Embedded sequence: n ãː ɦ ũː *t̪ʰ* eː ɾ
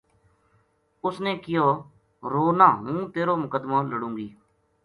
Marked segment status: incorrect: t̪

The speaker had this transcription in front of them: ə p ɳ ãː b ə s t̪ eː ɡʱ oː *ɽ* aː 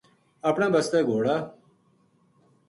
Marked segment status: correct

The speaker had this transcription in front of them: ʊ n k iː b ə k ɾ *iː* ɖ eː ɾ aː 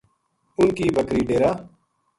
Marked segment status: correct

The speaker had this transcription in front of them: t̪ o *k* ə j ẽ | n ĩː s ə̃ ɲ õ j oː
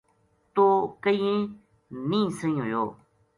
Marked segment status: correct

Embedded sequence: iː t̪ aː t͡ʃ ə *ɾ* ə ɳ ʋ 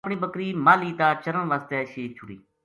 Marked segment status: correct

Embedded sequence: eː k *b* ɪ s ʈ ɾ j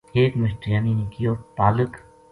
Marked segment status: incorrect: m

